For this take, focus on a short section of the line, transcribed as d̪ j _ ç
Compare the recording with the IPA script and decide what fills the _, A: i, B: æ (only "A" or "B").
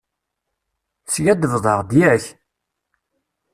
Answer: B